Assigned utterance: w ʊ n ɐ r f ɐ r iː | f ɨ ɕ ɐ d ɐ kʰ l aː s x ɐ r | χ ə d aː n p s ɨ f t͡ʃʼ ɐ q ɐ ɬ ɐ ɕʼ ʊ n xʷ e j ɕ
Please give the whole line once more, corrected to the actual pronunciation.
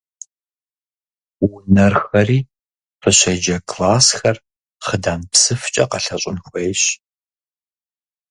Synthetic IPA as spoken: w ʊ n ɐ r x ɐ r iː | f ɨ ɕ ɐ d͡ʒ ɐ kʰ l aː s x ɐ r | χ ə d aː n p s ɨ f t͡ʃʼ ɐ q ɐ ɬ ɐ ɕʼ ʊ n xʷ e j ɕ